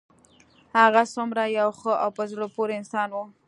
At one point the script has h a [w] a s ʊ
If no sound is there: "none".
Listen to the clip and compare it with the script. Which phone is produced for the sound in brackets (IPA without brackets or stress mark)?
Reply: ɣ